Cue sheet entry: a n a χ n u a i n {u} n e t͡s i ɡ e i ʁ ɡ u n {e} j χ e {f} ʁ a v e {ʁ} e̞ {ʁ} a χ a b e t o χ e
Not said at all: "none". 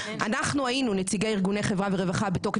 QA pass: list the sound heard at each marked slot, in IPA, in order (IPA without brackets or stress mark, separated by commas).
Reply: u, e, v, ʁ, v